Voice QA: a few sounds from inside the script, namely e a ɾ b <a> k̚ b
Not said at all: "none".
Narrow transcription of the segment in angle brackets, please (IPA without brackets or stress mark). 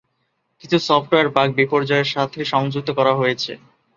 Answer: a